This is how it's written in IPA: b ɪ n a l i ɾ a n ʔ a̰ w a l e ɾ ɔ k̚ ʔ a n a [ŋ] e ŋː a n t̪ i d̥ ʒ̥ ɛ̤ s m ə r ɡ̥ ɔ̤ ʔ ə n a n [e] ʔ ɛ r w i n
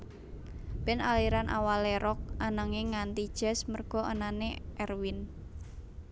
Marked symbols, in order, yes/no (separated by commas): yes, yes